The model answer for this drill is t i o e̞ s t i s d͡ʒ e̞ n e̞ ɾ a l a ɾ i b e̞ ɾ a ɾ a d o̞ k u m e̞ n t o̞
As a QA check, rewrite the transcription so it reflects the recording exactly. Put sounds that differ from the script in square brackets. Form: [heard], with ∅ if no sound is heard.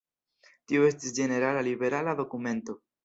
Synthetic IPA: t i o e̞ s t i s d͡ʒ e̞ n e̞ ɾ a l a [l] i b e̞ ɾ a [l] a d o̞ k u m e̞ n t o̞